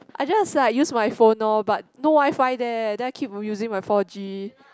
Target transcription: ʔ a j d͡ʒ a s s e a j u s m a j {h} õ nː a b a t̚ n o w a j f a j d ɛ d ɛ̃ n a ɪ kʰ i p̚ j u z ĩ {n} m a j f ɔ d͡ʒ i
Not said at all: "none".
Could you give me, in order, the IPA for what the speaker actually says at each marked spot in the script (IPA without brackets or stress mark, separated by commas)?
f, ŋ